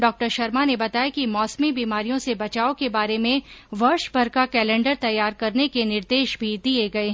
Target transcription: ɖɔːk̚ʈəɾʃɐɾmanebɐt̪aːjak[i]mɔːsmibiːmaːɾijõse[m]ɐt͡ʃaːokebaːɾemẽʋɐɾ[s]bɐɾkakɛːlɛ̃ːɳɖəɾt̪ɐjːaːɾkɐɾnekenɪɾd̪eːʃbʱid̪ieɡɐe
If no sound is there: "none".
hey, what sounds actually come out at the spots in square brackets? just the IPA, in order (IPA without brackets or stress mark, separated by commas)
i, b, ʃ